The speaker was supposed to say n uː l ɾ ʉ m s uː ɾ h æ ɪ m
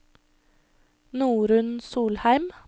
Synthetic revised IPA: n uː ɾ ʉ n s uː l h æ ɪ m